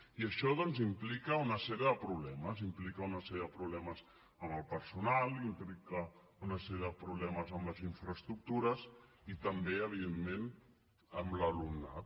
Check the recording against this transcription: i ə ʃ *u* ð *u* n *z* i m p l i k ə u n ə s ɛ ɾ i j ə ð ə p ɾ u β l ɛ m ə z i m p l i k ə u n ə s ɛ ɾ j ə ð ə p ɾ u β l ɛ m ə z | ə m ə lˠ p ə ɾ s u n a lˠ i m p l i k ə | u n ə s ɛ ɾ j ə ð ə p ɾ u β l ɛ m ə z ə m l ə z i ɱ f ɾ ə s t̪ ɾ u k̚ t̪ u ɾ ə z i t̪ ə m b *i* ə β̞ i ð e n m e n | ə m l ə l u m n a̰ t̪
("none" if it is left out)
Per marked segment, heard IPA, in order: ɔ, ɔ, z, e

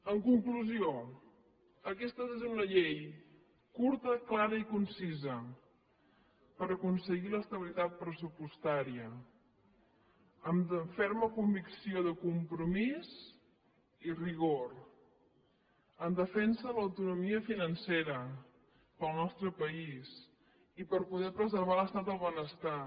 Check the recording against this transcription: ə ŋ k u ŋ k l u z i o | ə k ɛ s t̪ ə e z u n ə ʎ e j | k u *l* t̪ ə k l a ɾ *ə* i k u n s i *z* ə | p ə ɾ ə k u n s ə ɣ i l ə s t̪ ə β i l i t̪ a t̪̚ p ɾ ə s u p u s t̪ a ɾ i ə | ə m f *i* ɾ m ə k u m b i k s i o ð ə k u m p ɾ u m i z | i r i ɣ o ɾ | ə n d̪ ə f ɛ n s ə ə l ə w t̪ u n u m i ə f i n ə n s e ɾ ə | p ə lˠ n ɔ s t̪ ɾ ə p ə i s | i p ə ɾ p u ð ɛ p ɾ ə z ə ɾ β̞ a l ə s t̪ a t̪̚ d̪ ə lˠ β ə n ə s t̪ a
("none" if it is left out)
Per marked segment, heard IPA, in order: ɾ, ə, z, ɛ

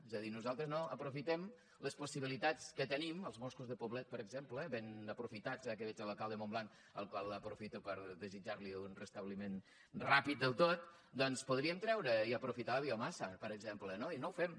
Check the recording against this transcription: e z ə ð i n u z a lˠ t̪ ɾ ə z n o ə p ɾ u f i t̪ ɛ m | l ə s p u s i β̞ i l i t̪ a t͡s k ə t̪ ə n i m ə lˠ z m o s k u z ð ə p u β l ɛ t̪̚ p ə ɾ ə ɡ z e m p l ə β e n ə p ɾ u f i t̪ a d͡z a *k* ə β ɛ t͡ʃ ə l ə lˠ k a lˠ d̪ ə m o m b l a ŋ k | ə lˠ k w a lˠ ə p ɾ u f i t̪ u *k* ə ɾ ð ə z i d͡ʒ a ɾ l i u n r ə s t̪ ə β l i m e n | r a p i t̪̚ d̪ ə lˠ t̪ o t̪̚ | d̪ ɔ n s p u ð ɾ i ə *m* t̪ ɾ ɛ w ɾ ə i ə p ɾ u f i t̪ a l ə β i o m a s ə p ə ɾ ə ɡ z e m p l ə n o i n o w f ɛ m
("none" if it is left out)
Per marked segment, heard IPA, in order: k, p, m

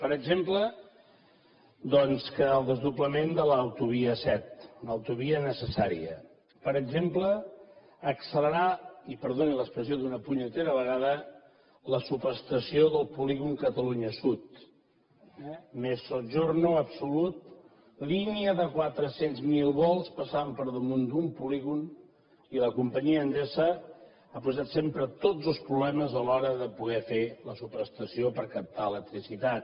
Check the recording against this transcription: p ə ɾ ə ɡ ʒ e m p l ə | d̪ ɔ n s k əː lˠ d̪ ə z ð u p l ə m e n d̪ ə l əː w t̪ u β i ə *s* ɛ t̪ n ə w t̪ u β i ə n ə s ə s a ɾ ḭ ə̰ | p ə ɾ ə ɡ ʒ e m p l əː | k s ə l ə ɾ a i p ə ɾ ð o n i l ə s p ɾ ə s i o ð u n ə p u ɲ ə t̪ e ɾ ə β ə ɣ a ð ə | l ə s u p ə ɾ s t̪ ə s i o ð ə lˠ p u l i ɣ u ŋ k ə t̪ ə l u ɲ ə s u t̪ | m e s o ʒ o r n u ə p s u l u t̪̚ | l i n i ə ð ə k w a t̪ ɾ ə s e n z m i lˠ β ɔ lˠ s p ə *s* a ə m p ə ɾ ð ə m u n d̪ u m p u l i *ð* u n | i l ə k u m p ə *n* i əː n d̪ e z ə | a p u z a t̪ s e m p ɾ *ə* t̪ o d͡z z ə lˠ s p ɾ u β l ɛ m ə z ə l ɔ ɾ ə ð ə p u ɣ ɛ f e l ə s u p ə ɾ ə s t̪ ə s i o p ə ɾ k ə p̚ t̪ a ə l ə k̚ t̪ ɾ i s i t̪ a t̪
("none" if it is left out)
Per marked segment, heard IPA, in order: s, s, ɣ, ɲ, ə

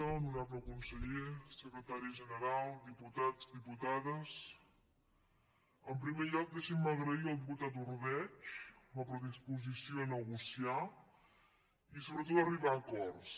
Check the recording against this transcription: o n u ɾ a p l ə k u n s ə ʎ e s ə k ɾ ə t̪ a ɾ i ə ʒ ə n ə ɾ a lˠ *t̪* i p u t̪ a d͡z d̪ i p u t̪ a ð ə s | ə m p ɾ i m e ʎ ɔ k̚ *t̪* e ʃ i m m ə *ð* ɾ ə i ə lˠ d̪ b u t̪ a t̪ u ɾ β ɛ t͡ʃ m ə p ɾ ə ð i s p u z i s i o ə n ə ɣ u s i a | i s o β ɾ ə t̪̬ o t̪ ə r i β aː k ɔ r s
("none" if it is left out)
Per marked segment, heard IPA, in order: d̪, d̪, ɣ

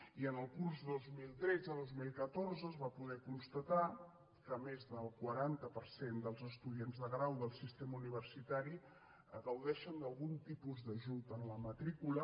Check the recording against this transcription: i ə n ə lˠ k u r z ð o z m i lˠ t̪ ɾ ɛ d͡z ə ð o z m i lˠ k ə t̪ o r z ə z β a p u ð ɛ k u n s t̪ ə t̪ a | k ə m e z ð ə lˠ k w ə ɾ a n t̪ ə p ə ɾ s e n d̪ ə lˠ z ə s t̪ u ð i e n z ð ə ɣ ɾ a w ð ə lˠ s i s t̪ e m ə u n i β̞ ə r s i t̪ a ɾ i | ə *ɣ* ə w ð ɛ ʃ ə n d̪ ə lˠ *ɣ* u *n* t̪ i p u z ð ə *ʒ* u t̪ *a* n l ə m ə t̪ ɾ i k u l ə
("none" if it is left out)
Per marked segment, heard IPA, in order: ɣ, ɣ, n, ʒ, ə

